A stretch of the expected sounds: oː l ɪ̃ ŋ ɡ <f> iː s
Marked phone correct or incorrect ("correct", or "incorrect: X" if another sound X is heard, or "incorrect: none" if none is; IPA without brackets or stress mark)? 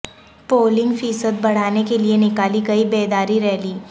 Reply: correct